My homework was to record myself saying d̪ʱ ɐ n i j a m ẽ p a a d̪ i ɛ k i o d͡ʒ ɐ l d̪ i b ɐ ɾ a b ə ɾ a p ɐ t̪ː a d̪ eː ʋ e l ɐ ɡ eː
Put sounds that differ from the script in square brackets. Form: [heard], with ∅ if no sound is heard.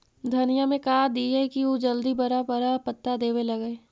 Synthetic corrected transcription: d̪ʱ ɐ n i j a m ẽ [k] a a d̪ i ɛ k i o d͡ʒ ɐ l d̪ i b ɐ ɾ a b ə ɾ a p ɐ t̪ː a d̪ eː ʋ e l ɐ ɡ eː